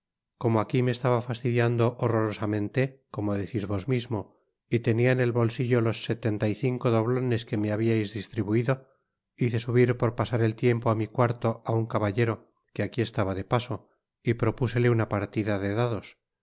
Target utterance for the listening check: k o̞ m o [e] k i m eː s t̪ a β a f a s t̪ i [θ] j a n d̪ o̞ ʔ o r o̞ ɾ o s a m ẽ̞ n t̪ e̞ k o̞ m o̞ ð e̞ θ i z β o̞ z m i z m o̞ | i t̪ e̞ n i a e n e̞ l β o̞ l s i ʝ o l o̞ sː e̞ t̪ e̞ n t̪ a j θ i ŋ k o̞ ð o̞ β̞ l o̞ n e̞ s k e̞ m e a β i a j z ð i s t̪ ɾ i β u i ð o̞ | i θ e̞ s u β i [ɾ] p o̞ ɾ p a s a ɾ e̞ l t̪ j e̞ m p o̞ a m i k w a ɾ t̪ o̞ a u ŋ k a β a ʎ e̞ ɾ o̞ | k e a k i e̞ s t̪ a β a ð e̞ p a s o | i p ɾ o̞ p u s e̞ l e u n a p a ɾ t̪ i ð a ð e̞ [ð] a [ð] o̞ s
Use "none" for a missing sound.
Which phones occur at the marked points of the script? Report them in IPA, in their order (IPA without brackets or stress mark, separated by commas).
a, ð, ɾ, ð, ð